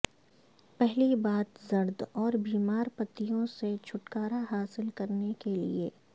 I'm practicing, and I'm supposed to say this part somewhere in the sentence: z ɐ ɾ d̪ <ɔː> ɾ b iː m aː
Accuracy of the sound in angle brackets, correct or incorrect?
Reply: correct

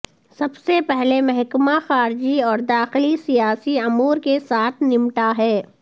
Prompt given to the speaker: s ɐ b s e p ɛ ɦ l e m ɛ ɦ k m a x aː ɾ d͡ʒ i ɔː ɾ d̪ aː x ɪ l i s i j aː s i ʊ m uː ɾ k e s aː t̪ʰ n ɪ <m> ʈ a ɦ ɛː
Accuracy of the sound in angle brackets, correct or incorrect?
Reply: correct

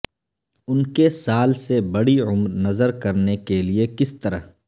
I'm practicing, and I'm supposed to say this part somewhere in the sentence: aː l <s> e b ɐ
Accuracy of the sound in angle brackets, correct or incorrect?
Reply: correct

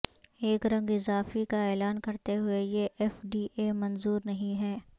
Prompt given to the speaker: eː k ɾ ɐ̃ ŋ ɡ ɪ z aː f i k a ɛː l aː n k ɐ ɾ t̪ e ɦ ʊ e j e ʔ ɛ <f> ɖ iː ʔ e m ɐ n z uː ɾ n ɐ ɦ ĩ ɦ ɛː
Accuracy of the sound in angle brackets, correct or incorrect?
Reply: correct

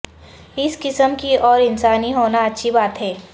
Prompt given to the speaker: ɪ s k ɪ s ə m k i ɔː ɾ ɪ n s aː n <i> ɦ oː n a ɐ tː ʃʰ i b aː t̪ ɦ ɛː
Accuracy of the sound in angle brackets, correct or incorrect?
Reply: correct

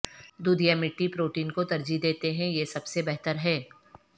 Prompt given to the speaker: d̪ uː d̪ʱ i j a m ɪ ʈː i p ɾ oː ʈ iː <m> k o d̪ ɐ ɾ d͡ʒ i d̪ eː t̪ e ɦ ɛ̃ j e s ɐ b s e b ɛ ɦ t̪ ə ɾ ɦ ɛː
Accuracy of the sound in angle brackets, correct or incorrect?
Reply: incorrect: n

